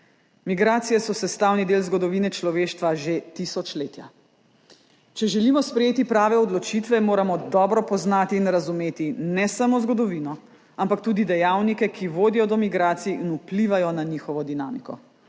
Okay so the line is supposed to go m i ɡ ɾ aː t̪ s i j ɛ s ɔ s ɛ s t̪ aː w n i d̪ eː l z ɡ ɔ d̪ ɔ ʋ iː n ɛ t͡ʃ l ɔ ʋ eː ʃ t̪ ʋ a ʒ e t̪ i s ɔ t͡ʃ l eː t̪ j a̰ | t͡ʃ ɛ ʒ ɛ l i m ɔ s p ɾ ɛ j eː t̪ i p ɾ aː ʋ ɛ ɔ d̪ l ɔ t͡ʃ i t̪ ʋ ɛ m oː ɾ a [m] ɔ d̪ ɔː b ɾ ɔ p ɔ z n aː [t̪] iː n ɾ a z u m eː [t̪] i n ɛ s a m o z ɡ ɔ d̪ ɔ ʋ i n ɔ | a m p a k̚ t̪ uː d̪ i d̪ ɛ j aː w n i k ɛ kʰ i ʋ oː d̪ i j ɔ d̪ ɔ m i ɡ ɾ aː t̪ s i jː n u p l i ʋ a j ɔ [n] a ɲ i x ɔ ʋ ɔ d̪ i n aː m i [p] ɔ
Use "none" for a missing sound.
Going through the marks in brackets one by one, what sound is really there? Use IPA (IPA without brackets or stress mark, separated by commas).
m, t̪, t̪, n, k